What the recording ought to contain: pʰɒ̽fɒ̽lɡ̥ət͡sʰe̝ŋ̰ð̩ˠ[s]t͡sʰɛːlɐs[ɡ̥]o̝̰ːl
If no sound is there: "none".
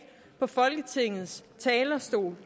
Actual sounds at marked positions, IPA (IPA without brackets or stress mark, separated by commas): s, d̥